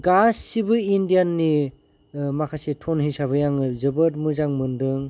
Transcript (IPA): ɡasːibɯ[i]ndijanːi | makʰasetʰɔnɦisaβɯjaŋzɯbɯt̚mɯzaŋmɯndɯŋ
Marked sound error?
no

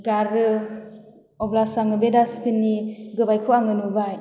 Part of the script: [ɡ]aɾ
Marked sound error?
no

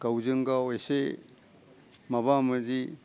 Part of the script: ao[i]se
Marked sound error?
yes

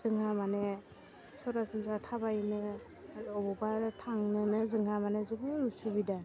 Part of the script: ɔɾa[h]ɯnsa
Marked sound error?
yes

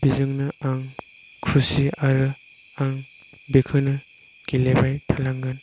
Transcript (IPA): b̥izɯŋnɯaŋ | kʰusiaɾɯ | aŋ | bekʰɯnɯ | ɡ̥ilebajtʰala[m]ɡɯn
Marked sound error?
yes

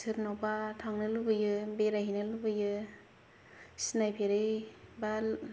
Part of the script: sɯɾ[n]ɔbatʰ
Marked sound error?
no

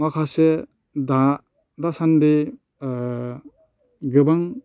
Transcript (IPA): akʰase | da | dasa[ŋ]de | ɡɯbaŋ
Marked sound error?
yes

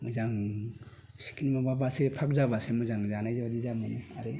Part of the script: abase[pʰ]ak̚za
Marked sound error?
no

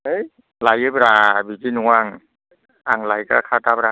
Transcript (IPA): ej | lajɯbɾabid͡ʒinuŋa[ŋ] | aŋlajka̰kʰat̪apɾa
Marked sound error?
no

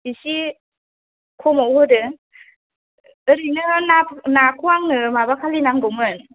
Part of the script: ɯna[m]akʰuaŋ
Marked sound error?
yes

